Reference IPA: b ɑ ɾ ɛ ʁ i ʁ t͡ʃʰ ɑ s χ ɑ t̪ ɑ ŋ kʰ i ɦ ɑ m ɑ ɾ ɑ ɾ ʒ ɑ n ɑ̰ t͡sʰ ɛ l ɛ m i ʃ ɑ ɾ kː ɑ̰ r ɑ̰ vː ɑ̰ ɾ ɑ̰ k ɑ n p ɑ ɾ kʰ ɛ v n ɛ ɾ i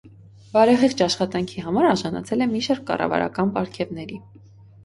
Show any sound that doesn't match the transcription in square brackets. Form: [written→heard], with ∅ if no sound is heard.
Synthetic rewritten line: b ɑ ɾ ɛ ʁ i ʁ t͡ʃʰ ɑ [s→ʃ] χ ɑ t̪ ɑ ŋ kʰ i ɦ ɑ m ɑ ɾ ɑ ɾ ʒ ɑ n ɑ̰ t͡sʰ ɛ l ɛ m i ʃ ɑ ɾ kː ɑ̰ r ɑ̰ [vː→v] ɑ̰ ɾ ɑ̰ k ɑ n p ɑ ɾ kʰ ɛ v n ɛ ɾ i